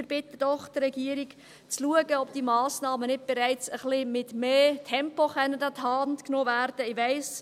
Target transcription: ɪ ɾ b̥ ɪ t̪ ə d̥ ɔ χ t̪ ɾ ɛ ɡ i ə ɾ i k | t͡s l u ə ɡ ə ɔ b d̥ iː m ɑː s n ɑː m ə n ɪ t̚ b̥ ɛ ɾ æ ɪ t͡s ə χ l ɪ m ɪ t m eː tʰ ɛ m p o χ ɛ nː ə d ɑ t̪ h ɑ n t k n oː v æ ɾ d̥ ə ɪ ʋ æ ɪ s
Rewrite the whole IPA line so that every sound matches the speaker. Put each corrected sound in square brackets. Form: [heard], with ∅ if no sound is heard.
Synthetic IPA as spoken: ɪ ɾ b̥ ɪ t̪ ə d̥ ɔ χ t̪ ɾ ɛ ɡ i ə ɾ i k | t͡s l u ə ɡ ə ɔ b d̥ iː m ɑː s n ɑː m ə n ɪ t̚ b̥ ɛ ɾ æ ɪ t͡s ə χ l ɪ m ɪ t m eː tʰ ɛ m p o χ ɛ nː ə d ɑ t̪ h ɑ n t k n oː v æ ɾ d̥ ə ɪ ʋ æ ɪ s